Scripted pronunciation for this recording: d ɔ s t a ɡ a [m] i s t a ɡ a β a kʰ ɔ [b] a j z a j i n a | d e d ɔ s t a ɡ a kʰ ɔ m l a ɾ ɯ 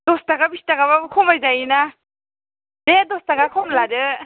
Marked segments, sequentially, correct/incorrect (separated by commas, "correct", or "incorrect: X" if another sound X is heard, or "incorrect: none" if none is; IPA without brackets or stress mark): incorrect: b, incorrect: m